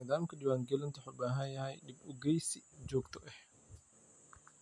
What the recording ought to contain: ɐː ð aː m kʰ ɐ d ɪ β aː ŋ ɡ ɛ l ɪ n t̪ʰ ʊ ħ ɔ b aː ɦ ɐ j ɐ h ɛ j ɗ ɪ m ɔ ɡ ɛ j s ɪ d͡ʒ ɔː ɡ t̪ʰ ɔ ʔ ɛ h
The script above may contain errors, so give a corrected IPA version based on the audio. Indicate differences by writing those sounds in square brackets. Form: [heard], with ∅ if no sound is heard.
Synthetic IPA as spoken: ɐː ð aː m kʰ ɐ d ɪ [w] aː ŋ ɡ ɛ l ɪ n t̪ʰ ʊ ħ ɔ b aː ɦ ɐ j ɐ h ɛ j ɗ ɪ [b] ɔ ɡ ɛ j s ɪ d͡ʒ ɔː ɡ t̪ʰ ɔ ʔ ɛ h